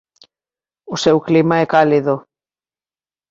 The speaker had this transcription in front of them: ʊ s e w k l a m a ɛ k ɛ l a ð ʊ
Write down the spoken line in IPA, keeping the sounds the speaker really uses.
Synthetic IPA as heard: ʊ s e w k l i m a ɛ k a l i ð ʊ